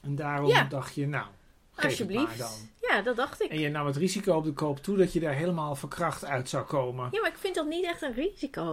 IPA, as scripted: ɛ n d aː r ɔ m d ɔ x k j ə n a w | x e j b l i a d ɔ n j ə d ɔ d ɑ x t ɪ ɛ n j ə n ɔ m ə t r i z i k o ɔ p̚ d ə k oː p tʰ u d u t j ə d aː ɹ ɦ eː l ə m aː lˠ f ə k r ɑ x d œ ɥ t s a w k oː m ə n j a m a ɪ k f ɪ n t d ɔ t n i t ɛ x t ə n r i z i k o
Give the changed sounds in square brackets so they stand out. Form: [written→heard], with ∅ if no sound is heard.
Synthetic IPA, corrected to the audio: ɛ n d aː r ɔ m d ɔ x [k→t] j ə n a w | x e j b l i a d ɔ n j [ə→a] d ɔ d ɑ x t ɪ ɛ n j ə n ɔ m ə t r i z i k o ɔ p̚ d ə k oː p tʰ u d [u→ɔ] t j ə d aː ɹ ɦ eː l ə m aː lˠ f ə k r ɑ x [d→t] œ ɥ t s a w k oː m ə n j a m a ɪ k f ɪ n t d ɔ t n i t ɛ x t ə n r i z i k o